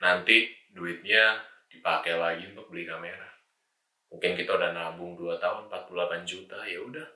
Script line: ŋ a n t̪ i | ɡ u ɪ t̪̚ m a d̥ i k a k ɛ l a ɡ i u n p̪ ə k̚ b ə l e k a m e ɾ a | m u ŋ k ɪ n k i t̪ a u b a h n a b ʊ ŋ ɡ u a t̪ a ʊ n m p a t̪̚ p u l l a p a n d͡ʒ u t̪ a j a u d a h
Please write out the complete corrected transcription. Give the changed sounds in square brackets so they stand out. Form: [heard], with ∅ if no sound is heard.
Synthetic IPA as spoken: [n] a n t̪ i | [d] u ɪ t̪̚ [ɲ] a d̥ i [p] a k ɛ l a ɡ i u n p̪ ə k̚ b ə l [i] k a m e ɾ a | m u ŋ k ɪ n k i t̪ a u [d] a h n a b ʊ ŋ [d] u a t̪ a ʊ n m p a t̪̚ p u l l a p a n d͡ʒ u t̪ a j a u d a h